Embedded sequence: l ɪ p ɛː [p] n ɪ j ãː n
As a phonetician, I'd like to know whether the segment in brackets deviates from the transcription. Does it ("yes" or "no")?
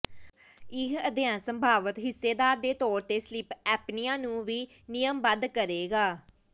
no